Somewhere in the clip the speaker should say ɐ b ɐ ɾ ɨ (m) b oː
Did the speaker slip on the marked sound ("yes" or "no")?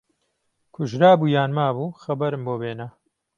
no